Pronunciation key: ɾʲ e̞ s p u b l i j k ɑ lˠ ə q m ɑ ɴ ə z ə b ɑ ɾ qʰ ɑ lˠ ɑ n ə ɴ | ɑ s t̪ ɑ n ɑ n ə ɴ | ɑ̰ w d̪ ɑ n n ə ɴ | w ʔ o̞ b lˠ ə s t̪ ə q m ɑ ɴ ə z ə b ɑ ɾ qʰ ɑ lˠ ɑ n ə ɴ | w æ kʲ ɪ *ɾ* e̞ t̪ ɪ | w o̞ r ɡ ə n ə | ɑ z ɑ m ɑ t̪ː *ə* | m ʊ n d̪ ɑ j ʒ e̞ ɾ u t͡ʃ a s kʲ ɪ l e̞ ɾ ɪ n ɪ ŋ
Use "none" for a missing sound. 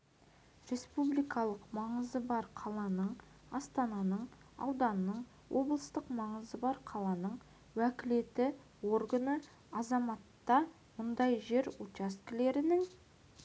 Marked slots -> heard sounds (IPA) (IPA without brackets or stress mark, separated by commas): l, ɑ